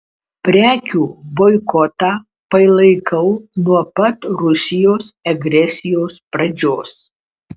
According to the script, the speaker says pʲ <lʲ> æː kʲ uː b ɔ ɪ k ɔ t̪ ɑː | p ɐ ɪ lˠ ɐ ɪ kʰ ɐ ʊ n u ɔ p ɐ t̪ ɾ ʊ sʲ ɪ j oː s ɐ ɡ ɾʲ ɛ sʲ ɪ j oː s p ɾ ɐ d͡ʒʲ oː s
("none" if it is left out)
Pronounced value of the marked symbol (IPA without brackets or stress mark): ɾʲ